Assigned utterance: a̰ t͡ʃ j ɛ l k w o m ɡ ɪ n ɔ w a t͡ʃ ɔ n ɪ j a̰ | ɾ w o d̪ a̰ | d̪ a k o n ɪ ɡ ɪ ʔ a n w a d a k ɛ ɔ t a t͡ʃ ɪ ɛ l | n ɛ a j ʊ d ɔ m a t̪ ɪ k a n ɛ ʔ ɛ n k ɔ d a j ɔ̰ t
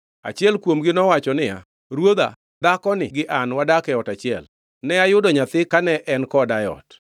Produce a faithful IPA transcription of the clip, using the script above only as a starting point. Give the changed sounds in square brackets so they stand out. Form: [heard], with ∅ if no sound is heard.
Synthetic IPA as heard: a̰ t͡ʃ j ɛ l k w o m ɡ ɪ n ɔ w a t͡ʃ ɔ n ɪ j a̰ | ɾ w o d̪ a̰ | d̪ a k [ɔ] n ɪ ɡ ɪ ʔ a n w a d a k ɛ ɔ t a t͡ʃ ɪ ɛ l | n ɛ a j ʊ d ɔ [ɲ] a t̪ ɪ k a n ɛ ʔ ɛ n k ɔ d a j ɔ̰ t

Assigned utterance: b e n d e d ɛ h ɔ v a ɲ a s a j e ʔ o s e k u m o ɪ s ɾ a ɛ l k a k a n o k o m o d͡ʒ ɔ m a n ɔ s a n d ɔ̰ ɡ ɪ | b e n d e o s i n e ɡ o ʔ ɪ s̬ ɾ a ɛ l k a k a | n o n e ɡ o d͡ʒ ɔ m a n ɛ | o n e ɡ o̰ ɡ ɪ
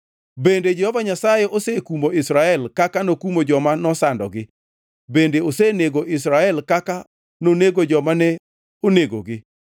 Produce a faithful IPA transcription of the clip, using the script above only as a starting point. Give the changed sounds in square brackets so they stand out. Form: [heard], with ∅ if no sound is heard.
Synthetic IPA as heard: b e n d e [d͡ʒ] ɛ h ɔ v a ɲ a s a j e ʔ o s e k u m o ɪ s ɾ a ɛ l k a k a n o k [u] m o d͡ʒ ɔ m a n ɔ s a n d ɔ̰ ɡ ɪ | b e n d e o s [e] n e ɡ o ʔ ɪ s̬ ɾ a ɛ l k a k a | n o n e ɡ o d͡ʒ ɔ m a n ɛ | o n e ɡ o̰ ɡ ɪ

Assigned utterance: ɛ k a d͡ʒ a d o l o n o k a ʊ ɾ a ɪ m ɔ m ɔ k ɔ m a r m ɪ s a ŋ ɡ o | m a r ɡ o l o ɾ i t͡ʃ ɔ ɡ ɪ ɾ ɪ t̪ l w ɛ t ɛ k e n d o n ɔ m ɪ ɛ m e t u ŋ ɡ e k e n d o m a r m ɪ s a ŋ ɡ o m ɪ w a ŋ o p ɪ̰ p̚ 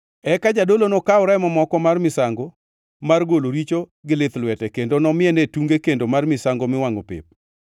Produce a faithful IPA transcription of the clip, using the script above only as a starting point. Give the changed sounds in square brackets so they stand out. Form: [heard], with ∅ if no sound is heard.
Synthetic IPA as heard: ɛ k a d͡ʒ a d o l o n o k a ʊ ɾ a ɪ m ɔ m ɔ k ɔ m a r m ɪ s a ŋ ɡ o | m a r ɡ o l o ɾ i t͡ʃ [o] ɡ ɪ [l] ɪ t̪ l w ɛ t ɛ k e n d o n ɔ m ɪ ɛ [n] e t u ŋ ɡ e k e n d o m a r m ɪ s a ŋ ɡ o m ɪ w a ŋ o p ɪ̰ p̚

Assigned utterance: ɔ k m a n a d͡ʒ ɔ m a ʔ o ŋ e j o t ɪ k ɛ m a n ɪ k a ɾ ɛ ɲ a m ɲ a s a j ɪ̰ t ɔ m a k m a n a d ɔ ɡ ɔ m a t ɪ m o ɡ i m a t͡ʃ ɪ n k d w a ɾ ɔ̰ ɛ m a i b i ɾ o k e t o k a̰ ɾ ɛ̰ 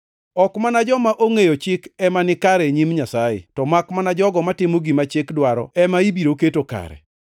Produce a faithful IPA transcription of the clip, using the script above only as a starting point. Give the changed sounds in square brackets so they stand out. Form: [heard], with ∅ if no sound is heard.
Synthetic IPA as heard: ɔ k m a n a d͡ʒ ɔ m a ʔ o ŋ e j o [t͡ʃ] ɪ k ɛ m a n ɪ k a ɾ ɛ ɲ [i] m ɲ a s a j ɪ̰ t ɔ m a k m a n a [d͡ʒ] ɔ ɡ ɔ m a t ɪ m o ɡ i m a t͡ʃ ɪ [∅] k d w a ɾ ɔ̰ ɛ m a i b i ɾ o k e t o k a̰ ɾ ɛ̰

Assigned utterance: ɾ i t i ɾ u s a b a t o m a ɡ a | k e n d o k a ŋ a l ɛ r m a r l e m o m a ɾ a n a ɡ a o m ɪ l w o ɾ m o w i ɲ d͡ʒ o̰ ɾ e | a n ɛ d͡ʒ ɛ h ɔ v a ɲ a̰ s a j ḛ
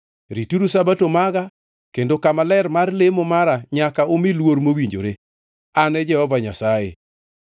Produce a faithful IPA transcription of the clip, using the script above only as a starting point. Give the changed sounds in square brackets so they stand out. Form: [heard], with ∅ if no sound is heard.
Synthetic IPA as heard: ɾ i t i ɾ u s a b a t o m a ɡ a | k e n d o k a [m] a l ɛ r m a r l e m o m a ɾ a [ɲ] a [k] a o m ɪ l w o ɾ m o w i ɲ d͡ʒ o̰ ɾ e | a n ɛ d͡ʒ ɛ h ɔ v a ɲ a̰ s a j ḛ

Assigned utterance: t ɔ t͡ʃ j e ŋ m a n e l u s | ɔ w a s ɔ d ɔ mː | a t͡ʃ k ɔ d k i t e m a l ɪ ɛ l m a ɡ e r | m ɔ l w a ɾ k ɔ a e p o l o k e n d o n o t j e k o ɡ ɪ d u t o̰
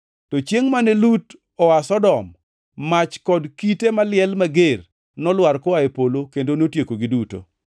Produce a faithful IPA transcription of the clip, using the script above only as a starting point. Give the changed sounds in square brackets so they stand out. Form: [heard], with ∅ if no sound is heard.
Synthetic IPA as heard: t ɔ t͡ʃ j e ŋ m a n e l u [t] | ɔ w a s ɔ d ɔ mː | a t͡ʃ k ɔ d k i t e m a l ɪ ɛ l m a ɡ e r | [n] ɔ l w a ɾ k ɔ a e p o l o k e n d o n o t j e k o ɡ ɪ d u t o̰

